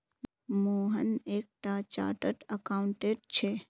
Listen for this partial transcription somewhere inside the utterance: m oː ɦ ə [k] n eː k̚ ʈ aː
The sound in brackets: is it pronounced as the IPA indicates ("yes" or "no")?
no